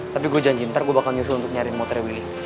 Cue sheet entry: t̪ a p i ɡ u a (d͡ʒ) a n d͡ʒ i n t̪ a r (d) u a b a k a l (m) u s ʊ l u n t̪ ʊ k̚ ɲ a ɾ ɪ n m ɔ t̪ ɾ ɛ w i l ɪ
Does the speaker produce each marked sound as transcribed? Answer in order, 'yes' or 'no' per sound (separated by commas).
yes, no, no